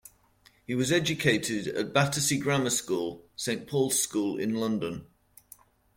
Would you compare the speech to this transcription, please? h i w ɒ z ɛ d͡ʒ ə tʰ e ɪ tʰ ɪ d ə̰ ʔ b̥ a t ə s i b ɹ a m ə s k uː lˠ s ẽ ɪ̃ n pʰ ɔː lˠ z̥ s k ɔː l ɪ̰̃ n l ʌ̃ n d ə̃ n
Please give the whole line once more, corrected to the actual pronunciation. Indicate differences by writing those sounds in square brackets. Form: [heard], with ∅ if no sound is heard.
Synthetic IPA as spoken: h i w ɒ z ɛ d͡ʒ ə [kʰ] e ɪ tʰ ɪ d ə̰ ʔ b̥ a t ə s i [ɡ] ɹ a m ə s k uː lˠ s ẽ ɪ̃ n pʰ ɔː lˠ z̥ s k [uː] l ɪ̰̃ n l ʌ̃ n d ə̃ n